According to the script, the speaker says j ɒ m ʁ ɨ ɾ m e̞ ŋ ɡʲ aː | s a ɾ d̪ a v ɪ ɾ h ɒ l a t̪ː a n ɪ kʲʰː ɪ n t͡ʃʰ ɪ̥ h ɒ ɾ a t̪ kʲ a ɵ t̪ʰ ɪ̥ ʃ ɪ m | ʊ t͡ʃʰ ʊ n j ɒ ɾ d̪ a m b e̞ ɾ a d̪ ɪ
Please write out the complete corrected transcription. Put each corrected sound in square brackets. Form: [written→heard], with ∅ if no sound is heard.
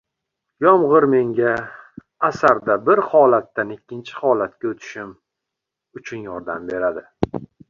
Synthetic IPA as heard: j ɒ m ʁ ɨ ɾ m e̞ ŋ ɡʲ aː | s a ɾ d̪ a [v→b] ɪ ɾ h ɒ l a t̪ː a n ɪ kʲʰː ɪ n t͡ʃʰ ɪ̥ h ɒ [ɾ→l] a t̪ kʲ a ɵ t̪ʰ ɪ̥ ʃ ɪ m | ʊ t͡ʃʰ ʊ n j ɒ ɾ d̪ a m b e̞ ɾ a d̪ ɪ

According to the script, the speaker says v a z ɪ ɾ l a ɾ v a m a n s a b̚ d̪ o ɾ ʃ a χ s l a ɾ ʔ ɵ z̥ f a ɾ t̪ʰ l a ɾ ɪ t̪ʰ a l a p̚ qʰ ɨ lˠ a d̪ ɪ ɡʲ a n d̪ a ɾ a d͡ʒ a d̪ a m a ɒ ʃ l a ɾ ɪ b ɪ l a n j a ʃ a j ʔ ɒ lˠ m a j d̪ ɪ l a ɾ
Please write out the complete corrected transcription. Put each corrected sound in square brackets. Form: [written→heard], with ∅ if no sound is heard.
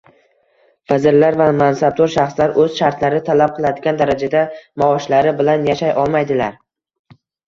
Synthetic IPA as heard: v a z ɪ ɾ l a ɾ v a m a n s a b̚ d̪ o ɾ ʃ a χ s l a ɾ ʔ ɵ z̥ [f→ʃ] a ɾ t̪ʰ l a ɾ ɪ t̪ʰ a l a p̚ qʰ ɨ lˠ a d̪ ɪ ɡʲ a n d̪ a ɾ a d͡ʒ a d̪ a m a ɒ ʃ l a ɾ ɪ b ɪ l a n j a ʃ a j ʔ ɒ lˠ m a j d̪ ɪ l a ɾ

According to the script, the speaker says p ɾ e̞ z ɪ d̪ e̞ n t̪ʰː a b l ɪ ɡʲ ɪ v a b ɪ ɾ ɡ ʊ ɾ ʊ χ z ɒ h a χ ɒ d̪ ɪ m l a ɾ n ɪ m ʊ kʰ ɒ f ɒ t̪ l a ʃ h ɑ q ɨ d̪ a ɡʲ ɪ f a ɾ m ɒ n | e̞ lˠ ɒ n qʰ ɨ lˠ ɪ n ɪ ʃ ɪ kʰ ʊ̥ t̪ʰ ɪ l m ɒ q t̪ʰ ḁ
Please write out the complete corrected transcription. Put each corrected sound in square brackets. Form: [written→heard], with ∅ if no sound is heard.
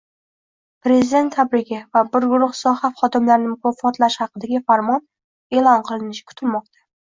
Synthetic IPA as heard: p ɾ e̞ z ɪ d̪ e̞ n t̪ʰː a b [l→ɾ] ɪ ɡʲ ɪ v a b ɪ ɾ ɡ ʊ ɾ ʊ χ [z→s] ɒ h a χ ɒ d̪ ɪ m l a ɾ n ɪ m ʊ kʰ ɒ f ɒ t̪ l a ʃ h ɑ q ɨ d̪ a ɡʲ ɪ f a ɾ m ɒ n | e̞ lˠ ɒ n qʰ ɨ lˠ ɪ n ɪ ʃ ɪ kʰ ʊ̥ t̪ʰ ɪ l m ɒ q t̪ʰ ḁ

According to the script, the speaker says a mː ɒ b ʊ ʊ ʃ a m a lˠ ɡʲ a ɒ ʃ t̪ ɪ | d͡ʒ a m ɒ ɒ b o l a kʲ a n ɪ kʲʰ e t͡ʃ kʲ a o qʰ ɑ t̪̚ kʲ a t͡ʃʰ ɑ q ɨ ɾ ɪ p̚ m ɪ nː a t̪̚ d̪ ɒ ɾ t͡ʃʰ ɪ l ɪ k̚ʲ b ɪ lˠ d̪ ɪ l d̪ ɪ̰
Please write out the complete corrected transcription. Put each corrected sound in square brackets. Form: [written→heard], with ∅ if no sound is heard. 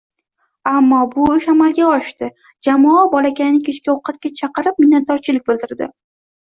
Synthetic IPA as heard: a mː ɒ b ʊ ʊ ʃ a m a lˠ ɡʲ a ɒ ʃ t̪ ɪ | d͡ʒ a m ɒ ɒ b [o→ɒ] l a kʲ a n ɪ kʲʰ e t͡ʃ kʲ a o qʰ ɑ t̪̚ kʲ a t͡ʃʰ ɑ q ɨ ɾ ɪ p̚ m ɪ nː a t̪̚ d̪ ɒ ɾ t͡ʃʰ ɪ l ɪ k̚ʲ b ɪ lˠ d̪ ɪ [l→ɾ] d̪ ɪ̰

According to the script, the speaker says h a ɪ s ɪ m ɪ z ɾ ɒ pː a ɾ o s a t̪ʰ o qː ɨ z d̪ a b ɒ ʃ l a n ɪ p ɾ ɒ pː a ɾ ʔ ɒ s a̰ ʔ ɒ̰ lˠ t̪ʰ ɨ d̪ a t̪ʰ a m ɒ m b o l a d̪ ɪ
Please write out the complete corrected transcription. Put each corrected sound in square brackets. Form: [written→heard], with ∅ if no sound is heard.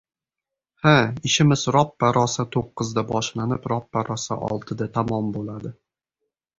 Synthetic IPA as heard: h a ɪ [s→ʃ] ɪ m ɪ z ɾ ɒ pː a ɾ [o→ɒ] s a t̪ʰ o qː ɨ z d̪ a b ɒ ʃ l a n ɪ p ɾ ɒ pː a ɾ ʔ ɒ s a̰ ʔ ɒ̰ lˠ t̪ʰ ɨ d̪ a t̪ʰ a m ɒ m b o l a d̪ ɪ

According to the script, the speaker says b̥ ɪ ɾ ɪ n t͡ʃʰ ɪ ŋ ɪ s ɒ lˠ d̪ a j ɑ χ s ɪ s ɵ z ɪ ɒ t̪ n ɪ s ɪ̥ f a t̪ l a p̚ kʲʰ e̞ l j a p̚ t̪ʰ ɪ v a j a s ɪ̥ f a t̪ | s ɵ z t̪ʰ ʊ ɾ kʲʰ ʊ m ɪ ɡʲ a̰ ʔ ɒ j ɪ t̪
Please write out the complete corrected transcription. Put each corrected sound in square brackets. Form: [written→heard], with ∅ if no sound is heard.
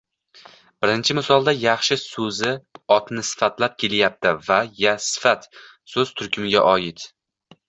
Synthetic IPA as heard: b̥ ɪ ɾ ɪ n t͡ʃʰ ɪ [ŋ→m] ɪ s ɒ lˠ d̪ a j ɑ χ [s→ʃ] ɪ s ɵ z ɪ ɒ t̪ n ɪ s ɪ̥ f a t̪ l a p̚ kʲʰ e̞ l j a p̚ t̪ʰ ɪ v a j a s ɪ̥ f a t̪ | s ɵ z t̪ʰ ʊ ɾ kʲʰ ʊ m ɪ ɡʲ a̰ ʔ ɒ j ɪ t̪

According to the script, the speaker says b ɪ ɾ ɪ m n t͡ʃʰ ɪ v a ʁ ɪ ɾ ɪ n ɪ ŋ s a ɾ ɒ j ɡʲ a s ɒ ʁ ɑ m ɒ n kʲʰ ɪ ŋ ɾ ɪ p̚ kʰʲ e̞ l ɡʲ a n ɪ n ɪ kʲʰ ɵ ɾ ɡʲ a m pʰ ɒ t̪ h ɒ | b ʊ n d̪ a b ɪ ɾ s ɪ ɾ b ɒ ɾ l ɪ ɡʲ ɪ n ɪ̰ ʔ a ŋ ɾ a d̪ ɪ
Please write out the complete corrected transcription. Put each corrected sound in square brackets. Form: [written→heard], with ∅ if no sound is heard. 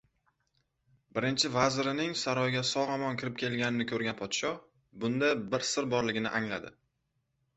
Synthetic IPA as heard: b ɪ ɾ ɪ [m→∅] n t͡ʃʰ ɪ v a [ʁ→z] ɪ ɾ ɪ n ɪ ŋ s a ɾ ɒ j ɡʲ a s ɒ ʁ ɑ m ɒ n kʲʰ ɪ [ŋ→∅] ɾ ɪ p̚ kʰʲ e̞ l ɡʲ a n ɪ n ɪ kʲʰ ɵ ɾ ɡʲ a [m→n] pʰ ɒ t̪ [h→ʃ] ɒ | b ʊ n d̪ a b ɪ ɾ s ɪ ɾ b ɒ ɾ l ɪ ɡʲ ɪ n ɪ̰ ʔ a ŋ [ɾ→l] a d̪ ɪ

